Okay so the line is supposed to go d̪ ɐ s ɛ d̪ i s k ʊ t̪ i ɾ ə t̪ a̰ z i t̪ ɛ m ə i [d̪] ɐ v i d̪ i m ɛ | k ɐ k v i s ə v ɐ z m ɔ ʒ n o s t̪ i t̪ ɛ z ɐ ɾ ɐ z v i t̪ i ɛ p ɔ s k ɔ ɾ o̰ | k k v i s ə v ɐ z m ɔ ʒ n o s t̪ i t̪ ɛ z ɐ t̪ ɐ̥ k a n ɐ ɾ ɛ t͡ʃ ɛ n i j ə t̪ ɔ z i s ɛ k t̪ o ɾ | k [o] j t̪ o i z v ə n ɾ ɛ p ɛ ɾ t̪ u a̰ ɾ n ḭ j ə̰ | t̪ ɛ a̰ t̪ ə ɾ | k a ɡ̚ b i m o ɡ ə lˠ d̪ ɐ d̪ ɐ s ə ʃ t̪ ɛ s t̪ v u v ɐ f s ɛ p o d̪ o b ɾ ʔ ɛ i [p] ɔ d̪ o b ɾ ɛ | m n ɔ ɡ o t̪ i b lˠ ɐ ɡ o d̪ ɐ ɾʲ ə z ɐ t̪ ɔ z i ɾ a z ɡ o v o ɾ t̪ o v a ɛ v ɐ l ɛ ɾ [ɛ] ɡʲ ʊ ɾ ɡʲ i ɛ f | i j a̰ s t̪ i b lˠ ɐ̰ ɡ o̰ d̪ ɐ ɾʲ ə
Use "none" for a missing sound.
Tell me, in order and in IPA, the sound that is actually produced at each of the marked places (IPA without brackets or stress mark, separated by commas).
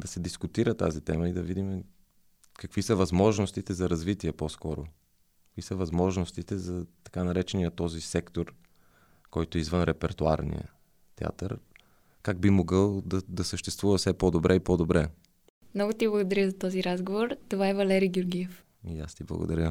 d̪, ɔ, p, i